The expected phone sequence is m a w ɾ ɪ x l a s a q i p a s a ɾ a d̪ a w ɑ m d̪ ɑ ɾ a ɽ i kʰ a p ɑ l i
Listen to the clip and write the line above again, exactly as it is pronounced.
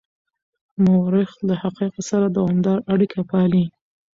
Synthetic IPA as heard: m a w ɾ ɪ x l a h a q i q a s a ɾ a d̪ a w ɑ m d̪ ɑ ɾ a ɽ i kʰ a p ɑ l i